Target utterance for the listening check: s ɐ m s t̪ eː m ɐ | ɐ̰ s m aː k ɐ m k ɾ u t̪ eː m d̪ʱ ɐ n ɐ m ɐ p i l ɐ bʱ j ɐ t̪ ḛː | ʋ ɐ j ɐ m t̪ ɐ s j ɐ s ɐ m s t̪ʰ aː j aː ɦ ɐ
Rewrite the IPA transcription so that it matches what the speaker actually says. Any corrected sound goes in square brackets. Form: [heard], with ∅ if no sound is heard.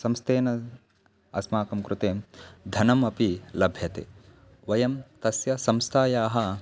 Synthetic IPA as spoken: s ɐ m s t̪ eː [n] ɐ | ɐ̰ s m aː k ɐ m k ɾ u t̪ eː m d̪ʱ ɐ n ɐ m ɐ p i l ɐ bʱ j ɐ t̪ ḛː | ʋ ɐ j ɐ m t̪ ɐ s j ɐ s ɐ m s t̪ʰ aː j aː ɦ ɐ